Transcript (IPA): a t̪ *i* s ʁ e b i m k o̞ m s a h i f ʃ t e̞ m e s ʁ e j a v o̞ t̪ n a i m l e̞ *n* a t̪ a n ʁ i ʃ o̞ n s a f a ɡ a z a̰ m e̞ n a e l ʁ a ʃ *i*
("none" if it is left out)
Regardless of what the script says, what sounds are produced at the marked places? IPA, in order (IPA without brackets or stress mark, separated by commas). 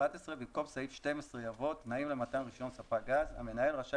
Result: e, m, a